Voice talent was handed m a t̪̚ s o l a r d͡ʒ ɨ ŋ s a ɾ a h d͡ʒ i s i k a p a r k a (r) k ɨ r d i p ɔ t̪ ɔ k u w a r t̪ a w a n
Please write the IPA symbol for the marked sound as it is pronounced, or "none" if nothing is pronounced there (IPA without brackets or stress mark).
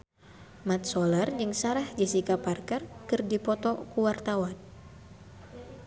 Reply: r